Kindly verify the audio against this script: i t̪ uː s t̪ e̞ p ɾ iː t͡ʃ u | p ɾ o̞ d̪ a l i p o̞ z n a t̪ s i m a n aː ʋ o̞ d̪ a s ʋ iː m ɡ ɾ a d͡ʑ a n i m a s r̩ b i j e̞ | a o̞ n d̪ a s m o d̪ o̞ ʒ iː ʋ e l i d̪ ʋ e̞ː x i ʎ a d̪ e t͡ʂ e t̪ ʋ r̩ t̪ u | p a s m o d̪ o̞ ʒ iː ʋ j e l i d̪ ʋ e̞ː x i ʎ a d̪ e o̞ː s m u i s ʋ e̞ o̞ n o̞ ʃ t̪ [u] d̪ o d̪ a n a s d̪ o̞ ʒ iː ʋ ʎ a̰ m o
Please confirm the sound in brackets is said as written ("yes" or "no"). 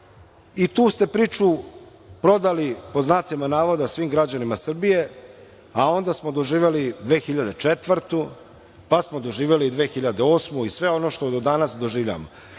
no